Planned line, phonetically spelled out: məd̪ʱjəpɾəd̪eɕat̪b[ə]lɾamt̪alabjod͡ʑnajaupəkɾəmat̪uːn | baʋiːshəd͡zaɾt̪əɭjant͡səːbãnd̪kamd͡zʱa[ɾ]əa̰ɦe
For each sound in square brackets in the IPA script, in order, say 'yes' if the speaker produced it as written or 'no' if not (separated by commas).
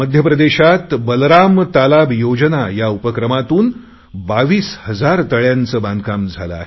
yes, no